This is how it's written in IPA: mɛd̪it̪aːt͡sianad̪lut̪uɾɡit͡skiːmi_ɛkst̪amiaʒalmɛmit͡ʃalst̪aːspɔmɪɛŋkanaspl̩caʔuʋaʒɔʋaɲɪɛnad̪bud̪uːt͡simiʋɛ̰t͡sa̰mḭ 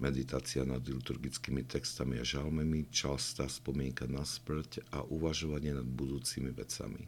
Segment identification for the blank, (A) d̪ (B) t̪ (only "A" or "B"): B